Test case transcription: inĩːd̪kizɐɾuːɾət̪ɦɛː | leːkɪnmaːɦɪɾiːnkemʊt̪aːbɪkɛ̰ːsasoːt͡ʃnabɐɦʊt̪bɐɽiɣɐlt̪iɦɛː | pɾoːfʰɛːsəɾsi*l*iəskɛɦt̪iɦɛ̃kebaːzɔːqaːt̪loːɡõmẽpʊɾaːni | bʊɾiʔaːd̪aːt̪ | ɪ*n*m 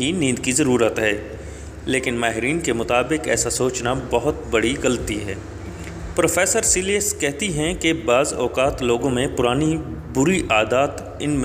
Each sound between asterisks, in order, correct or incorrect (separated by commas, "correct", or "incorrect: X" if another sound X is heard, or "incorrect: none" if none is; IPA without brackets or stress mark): correct, correct